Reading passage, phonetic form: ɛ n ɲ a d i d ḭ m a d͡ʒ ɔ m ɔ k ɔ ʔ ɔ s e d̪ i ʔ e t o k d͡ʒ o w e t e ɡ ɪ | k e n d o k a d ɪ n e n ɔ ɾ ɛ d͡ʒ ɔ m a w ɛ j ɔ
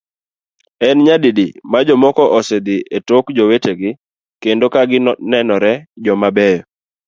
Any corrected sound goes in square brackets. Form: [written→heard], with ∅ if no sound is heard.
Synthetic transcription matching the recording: ɛ n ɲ a d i d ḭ m a d͡ʒ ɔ m ɔ k ɔ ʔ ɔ s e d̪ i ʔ e t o k d͡ʒ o w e t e ɡ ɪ | k e n d o k a [d→ɡ] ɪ n [e→ɛ] n ɔ ɾ ɛ d͡ʒ ɔ m a [w→b] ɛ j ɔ